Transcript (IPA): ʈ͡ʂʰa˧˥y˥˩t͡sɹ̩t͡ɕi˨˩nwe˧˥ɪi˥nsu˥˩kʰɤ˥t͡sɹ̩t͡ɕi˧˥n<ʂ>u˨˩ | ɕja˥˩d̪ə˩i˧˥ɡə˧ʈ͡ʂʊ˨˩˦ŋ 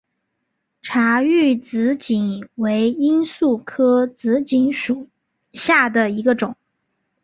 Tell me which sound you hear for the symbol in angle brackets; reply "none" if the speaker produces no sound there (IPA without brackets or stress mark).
ʂ